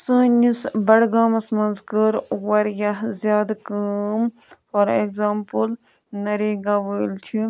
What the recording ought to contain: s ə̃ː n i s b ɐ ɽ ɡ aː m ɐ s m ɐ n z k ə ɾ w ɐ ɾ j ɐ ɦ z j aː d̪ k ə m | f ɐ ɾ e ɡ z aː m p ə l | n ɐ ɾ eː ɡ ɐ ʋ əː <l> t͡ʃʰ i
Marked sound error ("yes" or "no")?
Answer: no